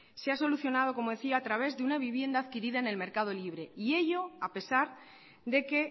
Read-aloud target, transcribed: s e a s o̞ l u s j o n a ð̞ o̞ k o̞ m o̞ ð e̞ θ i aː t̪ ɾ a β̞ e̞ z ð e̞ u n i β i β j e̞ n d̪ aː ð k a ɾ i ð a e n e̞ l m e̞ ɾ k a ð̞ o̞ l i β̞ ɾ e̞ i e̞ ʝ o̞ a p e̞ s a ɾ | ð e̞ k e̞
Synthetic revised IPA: s e a s o̞ l u θ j o n a ð̞ o̞ k o̞ m o̞ ð e̞ θ i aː t̪ ɾ a β̞ e̞ z ð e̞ u n a β i β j e̞ n d̪ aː ð k i ɾ i ð a e n e̞ l m e̞ ɾ k a ð̞ o̞ l i β̞ ɾ e̞ i e̞ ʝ o̞ a p e̞ s a ɾ | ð e̞ k e̞